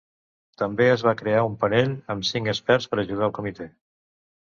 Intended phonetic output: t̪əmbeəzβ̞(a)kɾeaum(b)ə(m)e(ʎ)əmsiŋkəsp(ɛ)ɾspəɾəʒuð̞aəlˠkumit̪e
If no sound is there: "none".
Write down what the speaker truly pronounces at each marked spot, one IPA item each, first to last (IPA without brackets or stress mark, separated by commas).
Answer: a, p, n, ʎ, ɛ